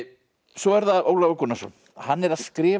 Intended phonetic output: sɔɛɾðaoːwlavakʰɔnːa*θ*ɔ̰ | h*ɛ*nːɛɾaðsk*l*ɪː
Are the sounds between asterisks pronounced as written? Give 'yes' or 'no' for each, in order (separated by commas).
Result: no, no, no